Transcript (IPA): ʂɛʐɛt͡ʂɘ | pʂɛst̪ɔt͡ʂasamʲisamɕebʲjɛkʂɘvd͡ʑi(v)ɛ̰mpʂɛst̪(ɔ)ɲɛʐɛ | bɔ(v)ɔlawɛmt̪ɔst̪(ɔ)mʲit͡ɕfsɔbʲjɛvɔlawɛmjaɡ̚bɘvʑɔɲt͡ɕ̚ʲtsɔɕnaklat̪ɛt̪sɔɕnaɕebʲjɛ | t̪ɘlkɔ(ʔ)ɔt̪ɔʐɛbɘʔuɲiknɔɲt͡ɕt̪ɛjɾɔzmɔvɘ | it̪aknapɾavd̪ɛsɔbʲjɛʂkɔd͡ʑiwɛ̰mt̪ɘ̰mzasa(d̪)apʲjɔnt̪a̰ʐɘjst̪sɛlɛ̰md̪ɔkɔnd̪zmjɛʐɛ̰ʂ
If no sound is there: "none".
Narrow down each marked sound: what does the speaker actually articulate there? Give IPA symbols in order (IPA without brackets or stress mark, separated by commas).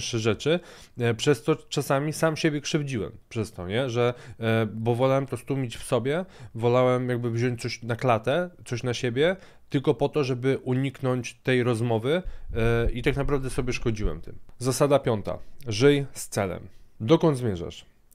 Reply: w, ɔ, v, u, p, d̪